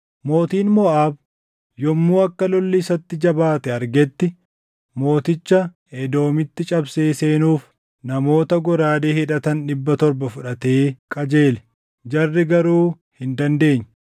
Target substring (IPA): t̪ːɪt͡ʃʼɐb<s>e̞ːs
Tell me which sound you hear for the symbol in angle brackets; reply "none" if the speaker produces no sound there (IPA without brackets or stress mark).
s